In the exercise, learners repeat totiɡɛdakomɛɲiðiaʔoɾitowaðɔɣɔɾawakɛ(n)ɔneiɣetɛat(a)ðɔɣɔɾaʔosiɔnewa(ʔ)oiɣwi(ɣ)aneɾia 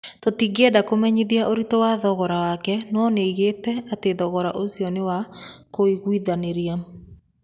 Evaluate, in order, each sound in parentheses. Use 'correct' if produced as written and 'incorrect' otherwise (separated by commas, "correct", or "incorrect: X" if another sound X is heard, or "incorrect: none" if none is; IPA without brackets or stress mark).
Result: correct, incorrect: e, incorrect: k, incorrect: ð